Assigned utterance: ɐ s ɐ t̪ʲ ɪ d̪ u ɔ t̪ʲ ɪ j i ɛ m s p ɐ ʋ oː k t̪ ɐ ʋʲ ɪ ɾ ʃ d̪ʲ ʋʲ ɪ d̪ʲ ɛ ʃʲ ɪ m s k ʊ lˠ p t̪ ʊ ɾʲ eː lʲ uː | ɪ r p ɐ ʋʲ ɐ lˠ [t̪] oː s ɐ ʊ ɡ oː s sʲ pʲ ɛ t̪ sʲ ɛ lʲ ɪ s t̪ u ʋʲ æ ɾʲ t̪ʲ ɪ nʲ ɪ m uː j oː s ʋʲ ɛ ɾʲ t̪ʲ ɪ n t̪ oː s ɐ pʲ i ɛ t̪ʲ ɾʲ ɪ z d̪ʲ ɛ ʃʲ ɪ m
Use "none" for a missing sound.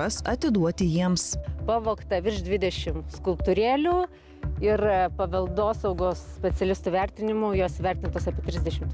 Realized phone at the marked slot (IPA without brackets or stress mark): d̪